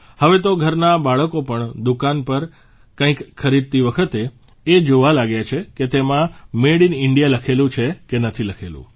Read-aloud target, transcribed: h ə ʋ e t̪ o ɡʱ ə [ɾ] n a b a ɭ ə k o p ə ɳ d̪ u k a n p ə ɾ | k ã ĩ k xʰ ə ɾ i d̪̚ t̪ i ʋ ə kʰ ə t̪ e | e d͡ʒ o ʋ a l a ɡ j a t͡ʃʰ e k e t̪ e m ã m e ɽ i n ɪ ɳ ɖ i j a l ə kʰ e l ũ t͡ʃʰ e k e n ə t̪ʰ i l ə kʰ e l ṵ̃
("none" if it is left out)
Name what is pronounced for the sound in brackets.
ɾ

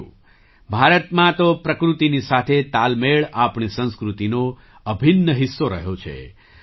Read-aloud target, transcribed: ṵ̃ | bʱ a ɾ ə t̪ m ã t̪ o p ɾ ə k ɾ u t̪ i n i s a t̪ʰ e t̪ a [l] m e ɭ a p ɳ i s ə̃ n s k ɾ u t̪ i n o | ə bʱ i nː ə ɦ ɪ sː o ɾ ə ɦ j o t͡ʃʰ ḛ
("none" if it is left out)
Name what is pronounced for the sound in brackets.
l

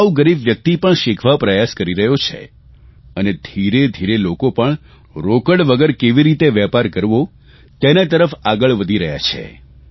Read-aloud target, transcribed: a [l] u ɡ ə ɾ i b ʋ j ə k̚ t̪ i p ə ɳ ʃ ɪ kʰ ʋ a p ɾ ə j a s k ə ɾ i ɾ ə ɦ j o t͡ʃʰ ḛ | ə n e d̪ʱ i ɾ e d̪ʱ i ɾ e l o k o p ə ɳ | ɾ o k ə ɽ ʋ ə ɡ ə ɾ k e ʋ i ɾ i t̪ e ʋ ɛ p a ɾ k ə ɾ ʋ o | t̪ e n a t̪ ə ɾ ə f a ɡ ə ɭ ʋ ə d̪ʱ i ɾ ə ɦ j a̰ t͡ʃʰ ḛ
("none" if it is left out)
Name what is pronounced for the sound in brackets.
none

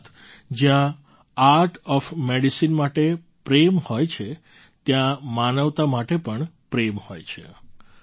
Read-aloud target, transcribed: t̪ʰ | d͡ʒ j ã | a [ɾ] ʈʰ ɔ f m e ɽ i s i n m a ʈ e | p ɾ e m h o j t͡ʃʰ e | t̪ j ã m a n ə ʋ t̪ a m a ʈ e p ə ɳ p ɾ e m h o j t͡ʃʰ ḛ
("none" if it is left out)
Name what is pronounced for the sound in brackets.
ɾ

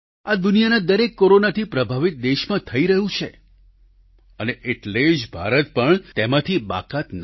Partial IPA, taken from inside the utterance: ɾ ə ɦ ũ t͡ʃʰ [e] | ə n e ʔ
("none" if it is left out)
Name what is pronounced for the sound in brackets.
e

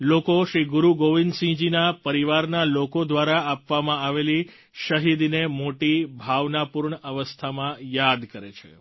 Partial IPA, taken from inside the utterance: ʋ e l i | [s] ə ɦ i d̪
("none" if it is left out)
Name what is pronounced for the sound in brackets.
ʃ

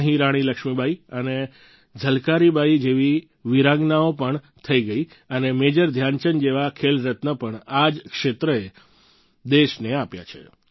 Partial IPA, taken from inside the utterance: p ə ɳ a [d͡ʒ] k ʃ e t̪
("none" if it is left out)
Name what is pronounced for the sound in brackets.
d͡ʒ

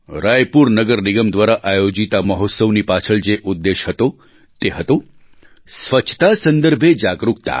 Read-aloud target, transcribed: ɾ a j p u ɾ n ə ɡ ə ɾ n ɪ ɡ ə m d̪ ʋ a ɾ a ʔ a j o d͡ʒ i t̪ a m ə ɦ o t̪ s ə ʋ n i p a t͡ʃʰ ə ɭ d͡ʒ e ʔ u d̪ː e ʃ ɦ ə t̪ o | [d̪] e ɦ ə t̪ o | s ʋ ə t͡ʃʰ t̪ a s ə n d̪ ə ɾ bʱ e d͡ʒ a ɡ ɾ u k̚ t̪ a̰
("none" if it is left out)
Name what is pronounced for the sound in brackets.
t̪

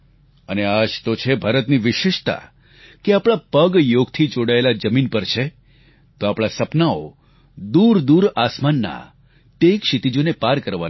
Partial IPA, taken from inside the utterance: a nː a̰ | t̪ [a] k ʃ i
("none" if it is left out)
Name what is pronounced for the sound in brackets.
e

